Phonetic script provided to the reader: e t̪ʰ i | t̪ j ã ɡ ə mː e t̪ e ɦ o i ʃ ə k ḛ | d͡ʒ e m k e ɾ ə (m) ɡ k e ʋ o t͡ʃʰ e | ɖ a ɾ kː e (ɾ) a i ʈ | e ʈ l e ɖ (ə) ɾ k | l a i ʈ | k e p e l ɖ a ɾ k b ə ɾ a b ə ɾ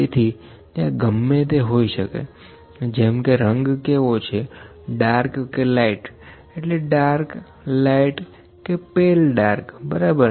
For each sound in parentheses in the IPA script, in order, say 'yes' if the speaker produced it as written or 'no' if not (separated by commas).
no, no, no